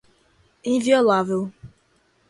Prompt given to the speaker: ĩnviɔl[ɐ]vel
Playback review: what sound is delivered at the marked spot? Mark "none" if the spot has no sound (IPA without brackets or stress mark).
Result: a